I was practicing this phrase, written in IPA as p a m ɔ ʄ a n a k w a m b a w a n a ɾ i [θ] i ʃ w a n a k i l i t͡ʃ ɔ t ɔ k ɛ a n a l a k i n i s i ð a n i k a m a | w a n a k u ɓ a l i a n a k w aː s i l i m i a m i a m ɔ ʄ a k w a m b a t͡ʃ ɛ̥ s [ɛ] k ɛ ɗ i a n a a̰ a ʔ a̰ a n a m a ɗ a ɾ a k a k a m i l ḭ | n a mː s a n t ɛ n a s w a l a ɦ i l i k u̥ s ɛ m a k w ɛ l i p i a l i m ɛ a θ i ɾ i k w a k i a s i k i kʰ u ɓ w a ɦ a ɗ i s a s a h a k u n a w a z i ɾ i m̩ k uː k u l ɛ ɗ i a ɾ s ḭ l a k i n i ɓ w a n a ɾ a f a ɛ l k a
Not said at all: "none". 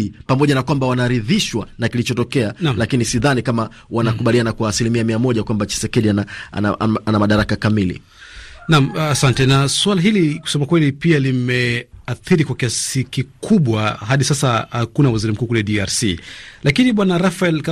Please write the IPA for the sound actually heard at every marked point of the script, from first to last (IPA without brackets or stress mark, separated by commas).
ð, ɛ